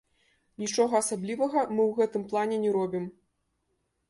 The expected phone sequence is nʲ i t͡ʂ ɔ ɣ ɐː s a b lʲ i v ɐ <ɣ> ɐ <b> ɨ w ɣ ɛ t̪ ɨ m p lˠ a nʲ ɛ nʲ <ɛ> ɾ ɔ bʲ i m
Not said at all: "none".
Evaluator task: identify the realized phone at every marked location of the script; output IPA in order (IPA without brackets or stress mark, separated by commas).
ɣ, m, ɛ